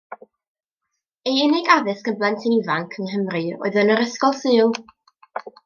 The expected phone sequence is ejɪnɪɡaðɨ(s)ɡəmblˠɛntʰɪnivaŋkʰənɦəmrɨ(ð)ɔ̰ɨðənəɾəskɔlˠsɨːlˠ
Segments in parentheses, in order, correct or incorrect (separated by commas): correct, incorrect